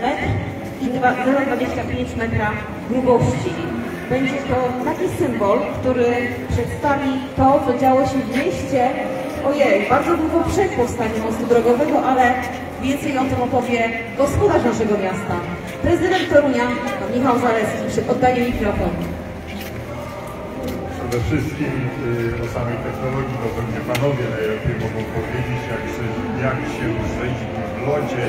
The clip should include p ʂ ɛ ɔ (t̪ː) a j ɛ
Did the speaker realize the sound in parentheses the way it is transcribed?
no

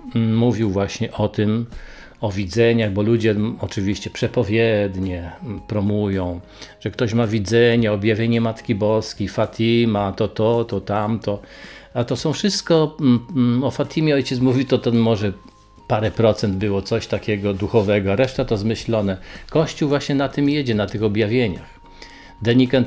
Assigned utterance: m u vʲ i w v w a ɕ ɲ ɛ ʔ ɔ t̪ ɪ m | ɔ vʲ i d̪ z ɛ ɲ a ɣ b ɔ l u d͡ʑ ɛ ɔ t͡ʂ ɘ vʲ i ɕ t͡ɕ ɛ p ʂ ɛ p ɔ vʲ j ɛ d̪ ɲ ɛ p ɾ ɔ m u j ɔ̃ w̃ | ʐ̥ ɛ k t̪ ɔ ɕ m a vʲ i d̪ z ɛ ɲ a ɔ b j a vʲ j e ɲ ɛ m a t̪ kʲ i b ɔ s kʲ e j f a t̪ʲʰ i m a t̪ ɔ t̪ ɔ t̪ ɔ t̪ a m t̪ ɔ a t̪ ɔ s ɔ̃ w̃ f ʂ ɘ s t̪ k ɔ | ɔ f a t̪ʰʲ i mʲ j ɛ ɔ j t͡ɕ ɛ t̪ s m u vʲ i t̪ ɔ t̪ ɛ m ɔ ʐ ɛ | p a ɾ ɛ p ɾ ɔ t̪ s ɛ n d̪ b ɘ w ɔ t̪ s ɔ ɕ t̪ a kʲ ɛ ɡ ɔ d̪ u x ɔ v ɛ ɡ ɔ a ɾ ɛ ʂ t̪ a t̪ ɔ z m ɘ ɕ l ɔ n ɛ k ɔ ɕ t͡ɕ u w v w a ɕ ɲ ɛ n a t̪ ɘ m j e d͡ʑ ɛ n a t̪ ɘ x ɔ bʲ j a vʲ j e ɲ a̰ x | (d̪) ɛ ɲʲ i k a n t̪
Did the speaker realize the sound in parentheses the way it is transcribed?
yes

